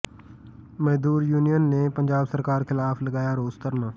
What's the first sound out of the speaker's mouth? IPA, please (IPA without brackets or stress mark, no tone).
m